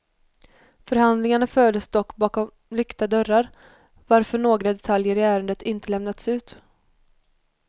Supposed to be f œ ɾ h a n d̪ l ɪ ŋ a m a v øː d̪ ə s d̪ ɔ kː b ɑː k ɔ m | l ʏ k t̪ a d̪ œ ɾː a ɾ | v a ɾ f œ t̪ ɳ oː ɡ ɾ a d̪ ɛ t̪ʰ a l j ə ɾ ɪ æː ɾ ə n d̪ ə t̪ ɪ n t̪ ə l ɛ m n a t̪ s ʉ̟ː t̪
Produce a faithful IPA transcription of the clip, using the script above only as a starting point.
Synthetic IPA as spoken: f œ ɾ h a n d̪ l ɪ ŋ a ɳ a f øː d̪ ə s d̪ ɔ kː b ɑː k ɔ m | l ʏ k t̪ a d̪ œ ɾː a ɾ | v a ɾ f œ ɳ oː ɡ ɾ a d̪ ɛ t̪ʰ a l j ə ɾ ɪ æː ɾ ə n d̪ ə t̪ ɪ n t̪ ə l ɛ m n a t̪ s ʉ̟ː t̪